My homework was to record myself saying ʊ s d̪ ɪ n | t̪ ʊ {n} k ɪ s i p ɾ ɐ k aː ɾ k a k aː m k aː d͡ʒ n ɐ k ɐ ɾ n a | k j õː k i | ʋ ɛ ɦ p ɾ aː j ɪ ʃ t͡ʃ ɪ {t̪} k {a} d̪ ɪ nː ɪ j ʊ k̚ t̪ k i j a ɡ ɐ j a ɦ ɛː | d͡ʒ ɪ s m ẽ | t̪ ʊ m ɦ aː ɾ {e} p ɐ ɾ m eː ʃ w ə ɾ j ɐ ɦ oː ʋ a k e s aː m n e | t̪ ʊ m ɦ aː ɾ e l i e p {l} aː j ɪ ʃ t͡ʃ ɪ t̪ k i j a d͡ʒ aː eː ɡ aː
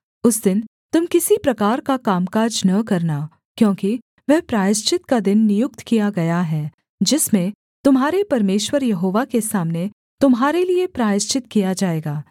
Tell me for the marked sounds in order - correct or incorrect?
incorrect: m, correct, correct, correct, incorrect: ɾ

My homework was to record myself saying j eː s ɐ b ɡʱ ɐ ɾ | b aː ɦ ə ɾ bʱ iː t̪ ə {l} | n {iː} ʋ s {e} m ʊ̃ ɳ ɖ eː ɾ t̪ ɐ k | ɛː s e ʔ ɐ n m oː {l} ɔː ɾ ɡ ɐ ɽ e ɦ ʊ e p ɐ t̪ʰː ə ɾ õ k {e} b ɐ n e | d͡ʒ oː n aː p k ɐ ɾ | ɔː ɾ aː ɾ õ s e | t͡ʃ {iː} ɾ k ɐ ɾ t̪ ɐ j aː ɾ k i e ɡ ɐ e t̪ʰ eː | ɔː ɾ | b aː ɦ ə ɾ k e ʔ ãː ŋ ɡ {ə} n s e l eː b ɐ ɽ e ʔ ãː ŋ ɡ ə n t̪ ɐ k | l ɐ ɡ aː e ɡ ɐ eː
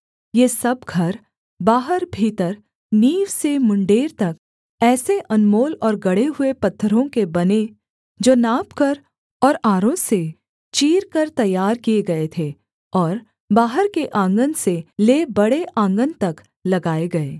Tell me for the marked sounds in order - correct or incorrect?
incorrect: ɾ, correct, correct, correct, correct, correct, correct

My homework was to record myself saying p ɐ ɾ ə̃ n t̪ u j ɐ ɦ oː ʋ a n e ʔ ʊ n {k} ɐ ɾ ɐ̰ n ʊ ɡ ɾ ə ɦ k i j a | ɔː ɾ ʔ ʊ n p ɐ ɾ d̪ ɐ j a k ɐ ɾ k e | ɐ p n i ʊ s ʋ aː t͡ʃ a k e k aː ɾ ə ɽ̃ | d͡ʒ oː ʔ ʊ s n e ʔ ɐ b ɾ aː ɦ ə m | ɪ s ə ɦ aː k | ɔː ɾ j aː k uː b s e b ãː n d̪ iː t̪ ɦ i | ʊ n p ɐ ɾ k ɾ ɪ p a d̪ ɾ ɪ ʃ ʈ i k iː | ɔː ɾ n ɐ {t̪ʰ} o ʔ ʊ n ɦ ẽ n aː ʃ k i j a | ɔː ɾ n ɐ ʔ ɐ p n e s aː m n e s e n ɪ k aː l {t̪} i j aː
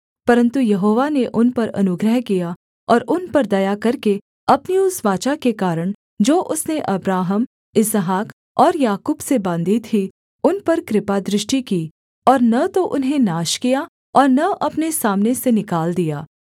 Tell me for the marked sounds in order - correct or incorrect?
incorrect: p, incorrect: t̪, incorrect: d̪

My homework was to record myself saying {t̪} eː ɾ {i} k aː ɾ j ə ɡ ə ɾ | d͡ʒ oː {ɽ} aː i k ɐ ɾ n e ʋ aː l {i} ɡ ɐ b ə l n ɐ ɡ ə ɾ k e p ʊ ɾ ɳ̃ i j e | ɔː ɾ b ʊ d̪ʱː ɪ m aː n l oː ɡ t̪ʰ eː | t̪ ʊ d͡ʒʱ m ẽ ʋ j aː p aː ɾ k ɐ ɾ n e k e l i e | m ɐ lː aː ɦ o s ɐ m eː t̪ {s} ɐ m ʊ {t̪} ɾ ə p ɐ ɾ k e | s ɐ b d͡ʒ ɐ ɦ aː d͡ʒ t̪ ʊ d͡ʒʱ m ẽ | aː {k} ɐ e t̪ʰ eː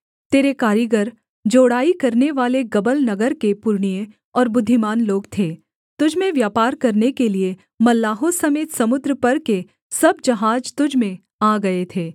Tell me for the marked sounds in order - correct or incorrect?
correct, incorrect: e, correct, incorrect: e, correct, incorrect: d̪, incorrect: ɡ

